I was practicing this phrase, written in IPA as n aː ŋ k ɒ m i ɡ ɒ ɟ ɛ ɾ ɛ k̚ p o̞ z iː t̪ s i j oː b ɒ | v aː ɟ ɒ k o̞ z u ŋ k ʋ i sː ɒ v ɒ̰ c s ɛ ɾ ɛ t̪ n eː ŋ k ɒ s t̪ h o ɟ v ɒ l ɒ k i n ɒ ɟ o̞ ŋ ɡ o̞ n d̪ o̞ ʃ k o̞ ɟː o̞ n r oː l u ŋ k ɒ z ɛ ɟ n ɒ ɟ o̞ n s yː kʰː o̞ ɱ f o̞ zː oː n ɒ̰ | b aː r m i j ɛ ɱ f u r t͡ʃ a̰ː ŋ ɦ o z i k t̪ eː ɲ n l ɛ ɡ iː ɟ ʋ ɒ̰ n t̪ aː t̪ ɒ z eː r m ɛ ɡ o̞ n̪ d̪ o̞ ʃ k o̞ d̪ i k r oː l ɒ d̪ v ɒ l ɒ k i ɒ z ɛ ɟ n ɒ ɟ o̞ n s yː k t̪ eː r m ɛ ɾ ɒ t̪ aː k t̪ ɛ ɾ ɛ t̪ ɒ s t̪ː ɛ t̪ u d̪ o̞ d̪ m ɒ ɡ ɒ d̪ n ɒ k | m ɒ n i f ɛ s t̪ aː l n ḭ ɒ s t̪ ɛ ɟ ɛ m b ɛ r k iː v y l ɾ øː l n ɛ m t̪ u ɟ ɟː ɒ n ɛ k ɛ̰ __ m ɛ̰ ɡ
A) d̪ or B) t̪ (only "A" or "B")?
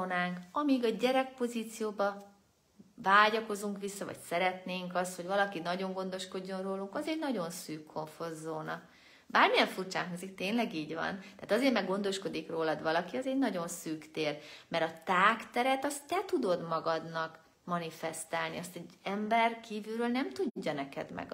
A